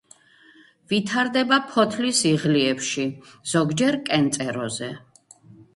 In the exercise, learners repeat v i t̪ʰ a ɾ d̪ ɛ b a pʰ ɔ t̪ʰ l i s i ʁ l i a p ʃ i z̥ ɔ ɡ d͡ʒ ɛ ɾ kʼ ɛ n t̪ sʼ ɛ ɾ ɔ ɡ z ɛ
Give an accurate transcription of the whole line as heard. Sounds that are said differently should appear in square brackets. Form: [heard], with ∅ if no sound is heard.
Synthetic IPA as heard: v i t̪ʰ a ɾ d̪ ɛ b a pʰ ɔ t̪ʰ l i s i ʁ l i [ɛ] p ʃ i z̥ ɔ ɡ d͡ʒ ɛ ɾ kʼ ɛ n t̪ sʼ ɛ ɾ ɔ [∅] z ɛ